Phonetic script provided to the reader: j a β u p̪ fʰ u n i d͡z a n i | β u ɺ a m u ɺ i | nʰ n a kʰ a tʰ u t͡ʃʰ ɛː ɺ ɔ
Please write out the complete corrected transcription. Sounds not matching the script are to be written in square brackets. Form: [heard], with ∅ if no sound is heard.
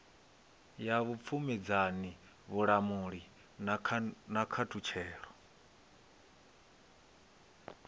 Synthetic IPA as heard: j a β u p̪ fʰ u [m] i d͡z a n i | β u ɺ a m u ɺ i | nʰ n a kʰ a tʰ u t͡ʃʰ ɛː ɺ ɔ

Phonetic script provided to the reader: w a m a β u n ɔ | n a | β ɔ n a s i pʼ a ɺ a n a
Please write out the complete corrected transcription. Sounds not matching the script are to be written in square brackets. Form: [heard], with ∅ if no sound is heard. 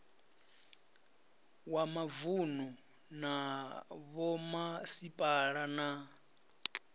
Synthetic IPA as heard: w a m a [v] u n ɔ | n a | β ɔ [m] a s i pʼ a ɺ a n a

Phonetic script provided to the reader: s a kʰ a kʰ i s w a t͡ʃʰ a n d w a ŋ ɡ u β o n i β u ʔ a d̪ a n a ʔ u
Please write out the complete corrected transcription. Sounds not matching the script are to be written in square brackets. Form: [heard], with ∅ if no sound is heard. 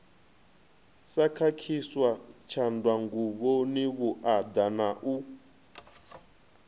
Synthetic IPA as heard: s a kʰ a kʰ i s w a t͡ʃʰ a n d w a ŋ ɡ u β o n i β u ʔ a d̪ a n a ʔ u

